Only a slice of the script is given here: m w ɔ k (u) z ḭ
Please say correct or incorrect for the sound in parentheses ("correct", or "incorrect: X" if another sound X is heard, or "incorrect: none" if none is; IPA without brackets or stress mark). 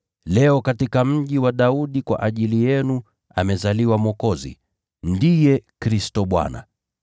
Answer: incorrect: ɔ